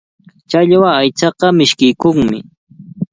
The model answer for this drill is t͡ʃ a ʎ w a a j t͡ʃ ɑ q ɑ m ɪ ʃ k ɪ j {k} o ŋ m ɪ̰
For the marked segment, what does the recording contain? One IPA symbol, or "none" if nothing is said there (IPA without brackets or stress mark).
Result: k